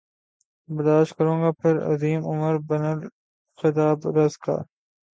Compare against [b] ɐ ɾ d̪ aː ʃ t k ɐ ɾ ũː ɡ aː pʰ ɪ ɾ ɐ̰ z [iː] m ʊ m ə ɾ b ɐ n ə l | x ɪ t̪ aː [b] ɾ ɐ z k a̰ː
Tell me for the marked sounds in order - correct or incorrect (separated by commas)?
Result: correct, correct, correct